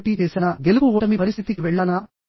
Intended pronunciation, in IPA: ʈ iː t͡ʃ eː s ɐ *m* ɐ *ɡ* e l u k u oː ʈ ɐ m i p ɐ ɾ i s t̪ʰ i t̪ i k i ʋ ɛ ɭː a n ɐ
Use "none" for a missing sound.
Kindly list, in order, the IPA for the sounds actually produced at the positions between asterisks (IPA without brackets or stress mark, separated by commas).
n, ɡ